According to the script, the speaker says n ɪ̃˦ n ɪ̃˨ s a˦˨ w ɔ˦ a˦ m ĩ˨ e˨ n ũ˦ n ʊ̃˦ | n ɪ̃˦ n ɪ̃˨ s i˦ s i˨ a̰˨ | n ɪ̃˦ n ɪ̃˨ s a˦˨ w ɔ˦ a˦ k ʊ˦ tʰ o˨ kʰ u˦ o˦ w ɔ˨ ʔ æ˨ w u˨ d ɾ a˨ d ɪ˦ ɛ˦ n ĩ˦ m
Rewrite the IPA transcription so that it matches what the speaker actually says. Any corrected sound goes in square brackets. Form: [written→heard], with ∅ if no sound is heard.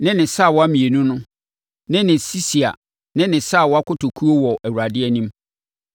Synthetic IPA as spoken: n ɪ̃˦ n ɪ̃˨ s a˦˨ w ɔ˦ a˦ m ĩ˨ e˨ n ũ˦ n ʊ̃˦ | n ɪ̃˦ n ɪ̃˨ s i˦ s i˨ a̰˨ | n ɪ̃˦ n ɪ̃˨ s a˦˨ w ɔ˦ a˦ k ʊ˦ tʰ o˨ kʰ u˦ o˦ w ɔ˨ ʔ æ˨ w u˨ [d→∅] ɾ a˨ d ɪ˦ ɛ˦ n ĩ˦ m

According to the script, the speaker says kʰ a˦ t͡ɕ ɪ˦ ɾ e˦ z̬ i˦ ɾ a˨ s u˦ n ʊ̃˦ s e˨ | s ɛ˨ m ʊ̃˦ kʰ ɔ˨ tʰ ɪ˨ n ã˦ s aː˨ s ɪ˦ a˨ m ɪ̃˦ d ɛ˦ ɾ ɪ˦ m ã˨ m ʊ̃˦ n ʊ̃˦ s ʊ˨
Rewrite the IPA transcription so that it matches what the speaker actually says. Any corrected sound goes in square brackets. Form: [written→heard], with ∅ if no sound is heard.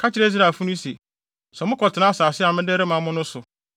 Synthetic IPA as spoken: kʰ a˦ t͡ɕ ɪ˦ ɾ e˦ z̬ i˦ ɾ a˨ [s→f] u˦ n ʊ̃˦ s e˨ | s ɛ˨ m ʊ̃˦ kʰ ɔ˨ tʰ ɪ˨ n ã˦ s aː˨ s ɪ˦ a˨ m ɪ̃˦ d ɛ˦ ɾ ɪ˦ m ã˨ m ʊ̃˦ n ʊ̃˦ s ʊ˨

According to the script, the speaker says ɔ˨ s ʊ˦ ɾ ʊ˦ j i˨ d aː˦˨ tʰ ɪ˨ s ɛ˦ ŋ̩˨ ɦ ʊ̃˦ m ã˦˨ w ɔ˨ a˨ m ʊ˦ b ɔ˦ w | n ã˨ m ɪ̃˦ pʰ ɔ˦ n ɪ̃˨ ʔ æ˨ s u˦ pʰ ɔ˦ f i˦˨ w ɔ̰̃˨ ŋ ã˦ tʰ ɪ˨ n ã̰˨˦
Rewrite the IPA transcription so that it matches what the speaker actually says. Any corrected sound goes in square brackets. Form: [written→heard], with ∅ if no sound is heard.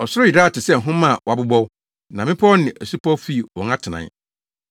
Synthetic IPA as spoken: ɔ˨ s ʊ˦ ɾ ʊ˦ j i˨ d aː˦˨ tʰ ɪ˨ s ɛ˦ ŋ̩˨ ɦ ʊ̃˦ m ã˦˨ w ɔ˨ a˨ [m→b] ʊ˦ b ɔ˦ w | n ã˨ m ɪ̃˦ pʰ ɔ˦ n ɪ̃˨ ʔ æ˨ s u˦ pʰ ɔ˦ f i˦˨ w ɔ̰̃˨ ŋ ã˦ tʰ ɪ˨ n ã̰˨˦

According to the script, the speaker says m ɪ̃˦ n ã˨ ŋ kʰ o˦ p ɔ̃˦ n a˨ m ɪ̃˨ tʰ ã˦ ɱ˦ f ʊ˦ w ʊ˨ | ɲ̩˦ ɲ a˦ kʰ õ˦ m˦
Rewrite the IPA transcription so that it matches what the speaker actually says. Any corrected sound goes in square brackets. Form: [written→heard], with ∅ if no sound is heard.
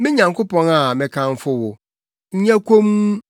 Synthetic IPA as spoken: m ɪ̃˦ [n→ɲ] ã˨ ŋ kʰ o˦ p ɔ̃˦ n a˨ m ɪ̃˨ [tʰ→kʰ] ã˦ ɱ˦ f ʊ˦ w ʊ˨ | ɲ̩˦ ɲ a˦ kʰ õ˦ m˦

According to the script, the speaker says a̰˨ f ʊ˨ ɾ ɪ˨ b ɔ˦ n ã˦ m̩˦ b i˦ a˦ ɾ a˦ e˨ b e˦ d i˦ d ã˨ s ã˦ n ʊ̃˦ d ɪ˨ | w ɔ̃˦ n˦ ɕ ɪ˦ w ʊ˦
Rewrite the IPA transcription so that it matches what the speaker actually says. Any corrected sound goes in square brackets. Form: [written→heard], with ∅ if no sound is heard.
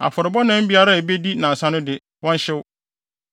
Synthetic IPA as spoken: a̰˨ f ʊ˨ ɾ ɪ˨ b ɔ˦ n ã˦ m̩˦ b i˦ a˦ ɾ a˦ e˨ b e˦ d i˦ [d→n] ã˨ s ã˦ n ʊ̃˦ d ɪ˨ | w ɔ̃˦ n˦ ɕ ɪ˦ w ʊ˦

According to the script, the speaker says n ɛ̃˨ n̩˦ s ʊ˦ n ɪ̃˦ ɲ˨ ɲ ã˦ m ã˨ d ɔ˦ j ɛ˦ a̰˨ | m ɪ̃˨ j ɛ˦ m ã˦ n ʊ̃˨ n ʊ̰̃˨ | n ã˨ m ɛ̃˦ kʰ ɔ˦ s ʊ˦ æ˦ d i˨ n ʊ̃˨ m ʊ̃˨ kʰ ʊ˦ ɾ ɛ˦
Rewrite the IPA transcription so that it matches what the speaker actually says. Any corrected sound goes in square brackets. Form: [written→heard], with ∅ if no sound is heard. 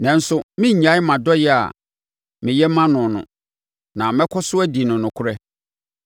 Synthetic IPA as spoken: n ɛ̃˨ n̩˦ s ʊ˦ [n→m] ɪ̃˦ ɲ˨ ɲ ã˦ m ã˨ d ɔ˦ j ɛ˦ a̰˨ | m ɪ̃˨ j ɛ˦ m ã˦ n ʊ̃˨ n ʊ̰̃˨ | n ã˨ m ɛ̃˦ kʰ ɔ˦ s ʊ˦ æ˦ d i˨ n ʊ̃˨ [m→n] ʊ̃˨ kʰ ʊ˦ ɾ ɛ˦

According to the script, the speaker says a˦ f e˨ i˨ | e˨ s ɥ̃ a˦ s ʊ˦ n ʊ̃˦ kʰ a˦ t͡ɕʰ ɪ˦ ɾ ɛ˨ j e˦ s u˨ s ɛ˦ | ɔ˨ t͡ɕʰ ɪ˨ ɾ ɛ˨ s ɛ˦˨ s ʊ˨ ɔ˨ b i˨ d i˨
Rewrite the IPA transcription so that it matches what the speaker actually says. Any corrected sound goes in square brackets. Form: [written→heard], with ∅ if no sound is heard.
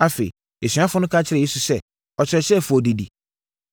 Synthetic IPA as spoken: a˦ f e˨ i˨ | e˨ s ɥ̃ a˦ [s→f] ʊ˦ n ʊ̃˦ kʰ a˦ t͡ɕʰ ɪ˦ ɾ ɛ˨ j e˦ s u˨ s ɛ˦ | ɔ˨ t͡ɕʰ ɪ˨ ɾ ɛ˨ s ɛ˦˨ [s→f] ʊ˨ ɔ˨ [b→d] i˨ d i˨

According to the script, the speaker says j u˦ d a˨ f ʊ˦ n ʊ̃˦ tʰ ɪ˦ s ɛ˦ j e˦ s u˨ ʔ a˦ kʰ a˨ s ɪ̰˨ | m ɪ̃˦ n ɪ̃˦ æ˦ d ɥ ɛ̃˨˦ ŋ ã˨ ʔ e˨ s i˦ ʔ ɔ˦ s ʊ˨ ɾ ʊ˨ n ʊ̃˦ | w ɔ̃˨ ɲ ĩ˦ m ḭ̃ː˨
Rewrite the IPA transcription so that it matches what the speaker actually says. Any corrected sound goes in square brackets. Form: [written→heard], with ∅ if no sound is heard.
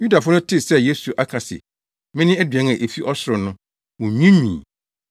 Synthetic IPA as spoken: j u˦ d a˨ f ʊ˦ n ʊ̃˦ tʰ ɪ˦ s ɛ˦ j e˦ s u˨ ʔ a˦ kʰ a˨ s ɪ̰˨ | m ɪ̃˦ n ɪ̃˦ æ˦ d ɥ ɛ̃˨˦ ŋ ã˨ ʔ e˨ [s→f] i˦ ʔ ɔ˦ s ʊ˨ ɾ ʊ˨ n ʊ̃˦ | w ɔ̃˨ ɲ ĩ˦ m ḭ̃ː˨

